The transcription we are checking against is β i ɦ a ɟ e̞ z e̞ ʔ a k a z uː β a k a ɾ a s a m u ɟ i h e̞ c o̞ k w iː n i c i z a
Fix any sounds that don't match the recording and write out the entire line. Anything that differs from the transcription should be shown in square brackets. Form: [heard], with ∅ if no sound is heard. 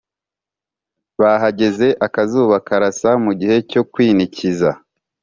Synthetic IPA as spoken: β [a] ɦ a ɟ e̞ z e̞ ʔ a k a z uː β a k a ɾ a s a m u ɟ i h e̞ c o̞ k w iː n i c i z a